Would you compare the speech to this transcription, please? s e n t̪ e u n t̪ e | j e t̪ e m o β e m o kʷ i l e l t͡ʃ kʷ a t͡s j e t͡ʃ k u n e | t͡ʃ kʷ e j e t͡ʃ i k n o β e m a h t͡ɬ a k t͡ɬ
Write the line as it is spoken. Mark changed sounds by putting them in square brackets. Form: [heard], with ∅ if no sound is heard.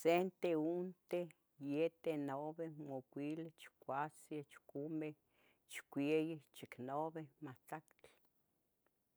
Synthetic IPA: s e n t̪ e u n t̪ e | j e t̪ e [n] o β e m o kʷ i l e [∅] t͡ʃ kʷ a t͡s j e t͡ʃ k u [m] e | t͡ʃ kʷ e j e t͡ʃ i k n o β e m a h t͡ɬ a k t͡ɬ

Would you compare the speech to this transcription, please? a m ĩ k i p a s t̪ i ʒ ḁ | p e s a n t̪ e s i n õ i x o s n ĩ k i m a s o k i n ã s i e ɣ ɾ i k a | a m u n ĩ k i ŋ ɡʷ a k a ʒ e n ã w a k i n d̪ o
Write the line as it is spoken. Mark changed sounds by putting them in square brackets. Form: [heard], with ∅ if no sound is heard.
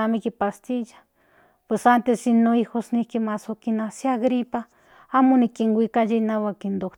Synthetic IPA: a m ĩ k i p a s t̪ i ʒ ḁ | p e s a n t̪ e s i n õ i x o s n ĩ k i m a s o k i n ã s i [a] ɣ ɾ i [p] a | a m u n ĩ k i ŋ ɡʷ [i] k a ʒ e n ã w a k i n d̪ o

